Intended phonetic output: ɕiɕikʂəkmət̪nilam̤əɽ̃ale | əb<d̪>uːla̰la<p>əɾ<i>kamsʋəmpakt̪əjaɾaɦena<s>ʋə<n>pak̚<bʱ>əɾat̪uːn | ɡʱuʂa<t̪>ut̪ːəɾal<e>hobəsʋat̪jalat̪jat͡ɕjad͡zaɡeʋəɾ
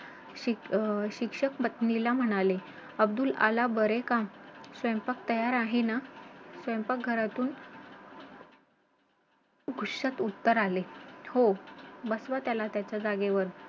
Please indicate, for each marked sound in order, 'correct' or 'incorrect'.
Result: correct, incorrect, incorrect, correct, incorrect, incorrect, correct, correct

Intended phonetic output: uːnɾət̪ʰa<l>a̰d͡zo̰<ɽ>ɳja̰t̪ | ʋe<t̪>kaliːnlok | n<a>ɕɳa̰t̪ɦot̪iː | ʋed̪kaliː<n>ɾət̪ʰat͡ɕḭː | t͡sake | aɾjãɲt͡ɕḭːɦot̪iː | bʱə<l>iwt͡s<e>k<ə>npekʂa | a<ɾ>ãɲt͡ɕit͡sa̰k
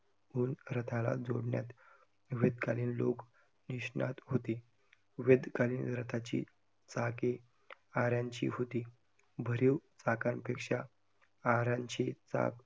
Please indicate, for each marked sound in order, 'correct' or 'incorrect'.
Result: correct, correct, incorrect, incorrect, correct, incorrect, incorrect, incorrect, correct

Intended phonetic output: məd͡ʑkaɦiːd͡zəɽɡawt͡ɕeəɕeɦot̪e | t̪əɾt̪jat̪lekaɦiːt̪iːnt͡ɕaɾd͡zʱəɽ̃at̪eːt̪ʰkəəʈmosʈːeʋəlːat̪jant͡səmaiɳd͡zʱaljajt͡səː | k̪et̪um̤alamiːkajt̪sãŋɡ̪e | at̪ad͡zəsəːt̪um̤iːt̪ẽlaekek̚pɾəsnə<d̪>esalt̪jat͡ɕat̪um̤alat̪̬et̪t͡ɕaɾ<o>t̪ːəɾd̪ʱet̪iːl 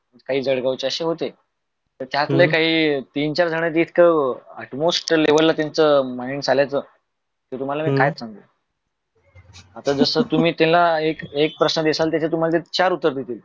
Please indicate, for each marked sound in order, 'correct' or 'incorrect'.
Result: correct, incorrect

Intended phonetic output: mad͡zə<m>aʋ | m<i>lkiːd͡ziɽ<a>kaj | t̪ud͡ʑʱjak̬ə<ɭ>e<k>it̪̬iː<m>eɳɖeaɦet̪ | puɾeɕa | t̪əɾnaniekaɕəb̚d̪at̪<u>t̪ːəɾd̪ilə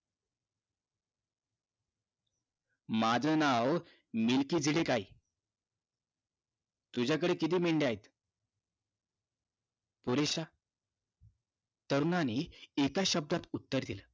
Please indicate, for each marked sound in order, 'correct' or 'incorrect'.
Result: incorrect, correct, incorrect, incorrect, correct, correct, correct

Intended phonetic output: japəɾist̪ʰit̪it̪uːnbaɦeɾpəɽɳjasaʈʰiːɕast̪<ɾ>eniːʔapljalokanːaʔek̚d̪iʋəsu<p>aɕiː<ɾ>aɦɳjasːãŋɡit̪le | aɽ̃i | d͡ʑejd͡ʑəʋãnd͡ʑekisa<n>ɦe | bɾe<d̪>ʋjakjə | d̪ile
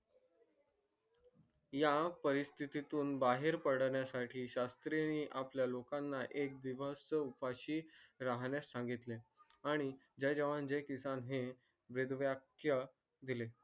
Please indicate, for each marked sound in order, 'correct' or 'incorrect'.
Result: correct, correct, correct, correct, correct

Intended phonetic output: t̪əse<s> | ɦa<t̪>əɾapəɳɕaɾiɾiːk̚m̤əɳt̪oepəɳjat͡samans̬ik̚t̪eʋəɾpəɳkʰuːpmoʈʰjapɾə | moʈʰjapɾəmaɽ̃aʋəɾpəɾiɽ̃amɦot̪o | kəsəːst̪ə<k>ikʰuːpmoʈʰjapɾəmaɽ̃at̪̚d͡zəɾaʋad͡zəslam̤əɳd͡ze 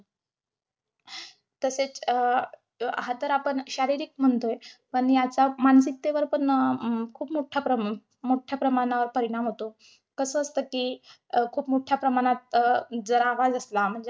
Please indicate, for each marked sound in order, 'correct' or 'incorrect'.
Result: incorrect, correct, correct

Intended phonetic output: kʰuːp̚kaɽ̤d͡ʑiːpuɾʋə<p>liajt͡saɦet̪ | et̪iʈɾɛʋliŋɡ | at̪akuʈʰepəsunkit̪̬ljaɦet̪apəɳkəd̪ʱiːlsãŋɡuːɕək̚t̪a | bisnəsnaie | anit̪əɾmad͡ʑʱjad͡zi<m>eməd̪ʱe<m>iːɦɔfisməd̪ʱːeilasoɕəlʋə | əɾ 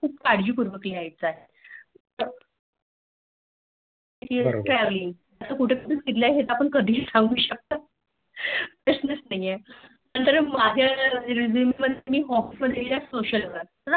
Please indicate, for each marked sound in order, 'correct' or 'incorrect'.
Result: incorrect, correct, correct

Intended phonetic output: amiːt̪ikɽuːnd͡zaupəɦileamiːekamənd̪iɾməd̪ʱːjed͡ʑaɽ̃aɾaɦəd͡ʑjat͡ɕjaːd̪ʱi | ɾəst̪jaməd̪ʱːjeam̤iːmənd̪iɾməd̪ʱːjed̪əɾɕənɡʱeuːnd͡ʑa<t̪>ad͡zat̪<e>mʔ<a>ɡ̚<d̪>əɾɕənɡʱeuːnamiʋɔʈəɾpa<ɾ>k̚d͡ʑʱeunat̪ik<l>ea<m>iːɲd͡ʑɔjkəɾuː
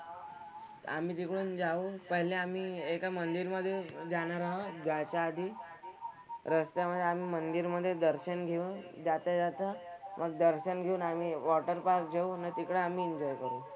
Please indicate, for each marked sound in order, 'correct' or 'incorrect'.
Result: correct, incorrect, incorrect, correct, correct, incorrect, correct

